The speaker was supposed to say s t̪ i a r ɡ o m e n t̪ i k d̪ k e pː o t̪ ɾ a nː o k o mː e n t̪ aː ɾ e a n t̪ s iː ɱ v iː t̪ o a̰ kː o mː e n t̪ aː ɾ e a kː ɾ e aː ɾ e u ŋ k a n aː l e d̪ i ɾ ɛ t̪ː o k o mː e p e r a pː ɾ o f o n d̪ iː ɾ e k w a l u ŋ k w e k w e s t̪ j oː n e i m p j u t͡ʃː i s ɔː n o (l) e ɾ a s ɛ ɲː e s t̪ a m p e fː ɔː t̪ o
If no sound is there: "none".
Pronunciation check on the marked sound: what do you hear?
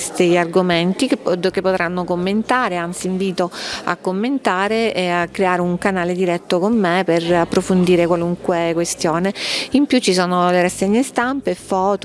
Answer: l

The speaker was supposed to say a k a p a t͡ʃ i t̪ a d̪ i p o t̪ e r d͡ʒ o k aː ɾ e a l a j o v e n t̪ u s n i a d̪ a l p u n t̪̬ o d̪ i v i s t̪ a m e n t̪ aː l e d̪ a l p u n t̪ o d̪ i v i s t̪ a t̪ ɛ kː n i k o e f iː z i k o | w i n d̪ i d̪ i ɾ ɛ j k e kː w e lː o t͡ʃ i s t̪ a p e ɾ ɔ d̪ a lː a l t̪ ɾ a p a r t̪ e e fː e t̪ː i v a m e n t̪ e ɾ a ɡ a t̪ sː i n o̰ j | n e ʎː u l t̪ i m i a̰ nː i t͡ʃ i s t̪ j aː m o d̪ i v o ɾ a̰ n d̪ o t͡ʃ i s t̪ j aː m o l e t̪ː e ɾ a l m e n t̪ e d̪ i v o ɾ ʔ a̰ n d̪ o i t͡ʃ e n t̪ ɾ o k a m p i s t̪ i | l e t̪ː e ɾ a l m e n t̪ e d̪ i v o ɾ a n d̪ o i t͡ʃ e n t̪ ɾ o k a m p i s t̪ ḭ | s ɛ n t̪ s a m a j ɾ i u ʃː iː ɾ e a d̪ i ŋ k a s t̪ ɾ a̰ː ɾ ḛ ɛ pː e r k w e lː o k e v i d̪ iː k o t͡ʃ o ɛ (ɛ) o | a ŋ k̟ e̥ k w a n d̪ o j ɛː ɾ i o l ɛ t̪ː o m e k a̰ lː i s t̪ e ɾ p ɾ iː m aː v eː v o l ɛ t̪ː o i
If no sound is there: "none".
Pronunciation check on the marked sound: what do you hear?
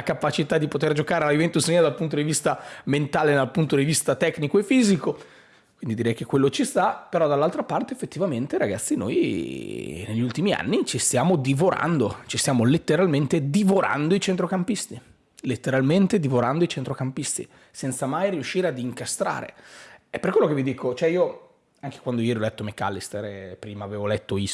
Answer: i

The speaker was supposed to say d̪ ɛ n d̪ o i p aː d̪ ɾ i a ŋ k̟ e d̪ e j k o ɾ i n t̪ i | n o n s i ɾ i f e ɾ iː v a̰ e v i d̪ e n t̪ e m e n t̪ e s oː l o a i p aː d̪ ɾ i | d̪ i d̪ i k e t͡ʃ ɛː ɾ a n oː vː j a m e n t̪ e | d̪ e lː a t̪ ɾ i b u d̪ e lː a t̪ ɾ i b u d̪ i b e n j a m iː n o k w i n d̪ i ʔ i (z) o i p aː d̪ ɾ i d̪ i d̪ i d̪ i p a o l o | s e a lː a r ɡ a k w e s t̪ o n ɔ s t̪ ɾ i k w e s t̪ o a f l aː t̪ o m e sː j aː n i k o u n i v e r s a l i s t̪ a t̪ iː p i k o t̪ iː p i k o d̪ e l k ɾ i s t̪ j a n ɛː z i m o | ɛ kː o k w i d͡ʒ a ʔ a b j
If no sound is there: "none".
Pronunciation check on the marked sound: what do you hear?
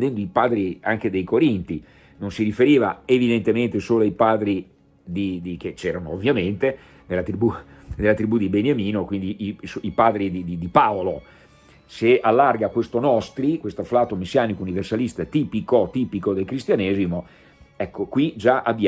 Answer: s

